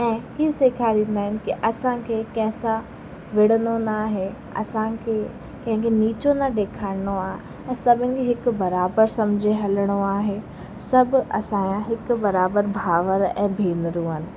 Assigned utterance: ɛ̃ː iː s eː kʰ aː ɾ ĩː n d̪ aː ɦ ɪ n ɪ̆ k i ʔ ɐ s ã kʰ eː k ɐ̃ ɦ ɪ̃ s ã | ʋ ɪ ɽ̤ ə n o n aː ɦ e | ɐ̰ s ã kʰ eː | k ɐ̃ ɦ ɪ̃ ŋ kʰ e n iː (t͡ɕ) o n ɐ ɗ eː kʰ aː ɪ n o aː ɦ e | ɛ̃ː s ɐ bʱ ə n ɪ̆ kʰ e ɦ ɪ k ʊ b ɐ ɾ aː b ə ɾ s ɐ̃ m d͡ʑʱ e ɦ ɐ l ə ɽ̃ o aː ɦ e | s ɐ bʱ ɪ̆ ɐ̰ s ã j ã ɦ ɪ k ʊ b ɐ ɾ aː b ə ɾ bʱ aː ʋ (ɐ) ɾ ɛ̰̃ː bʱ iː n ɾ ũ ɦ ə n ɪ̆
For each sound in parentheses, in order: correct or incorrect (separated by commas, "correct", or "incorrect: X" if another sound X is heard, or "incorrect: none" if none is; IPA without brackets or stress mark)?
correct, incorrect: ə